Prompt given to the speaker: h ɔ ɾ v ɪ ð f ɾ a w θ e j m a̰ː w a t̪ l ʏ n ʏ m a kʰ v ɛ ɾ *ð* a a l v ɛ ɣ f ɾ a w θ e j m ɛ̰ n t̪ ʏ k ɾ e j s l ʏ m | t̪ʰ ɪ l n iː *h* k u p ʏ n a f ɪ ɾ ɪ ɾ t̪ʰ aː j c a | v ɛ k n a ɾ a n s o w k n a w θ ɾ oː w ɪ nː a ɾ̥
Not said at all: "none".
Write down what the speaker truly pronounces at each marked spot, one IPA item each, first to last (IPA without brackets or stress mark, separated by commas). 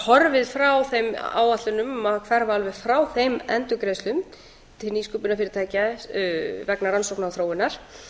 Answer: v, s